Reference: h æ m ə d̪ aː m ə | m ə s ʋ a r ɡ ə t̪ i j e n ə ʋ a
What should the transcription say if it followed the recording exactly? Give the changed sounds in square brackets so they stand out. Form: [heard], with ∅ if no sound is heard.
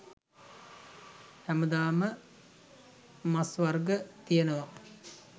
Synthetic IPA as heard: h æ m ə d̪ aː m ə | m [a] s ʋ a r ɡ ə t̪ i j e n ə ʋ a